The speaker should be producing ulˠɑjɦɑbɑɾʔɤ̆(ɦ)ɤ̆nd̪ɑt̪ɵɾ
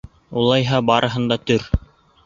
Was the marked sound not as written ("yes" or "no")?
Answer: no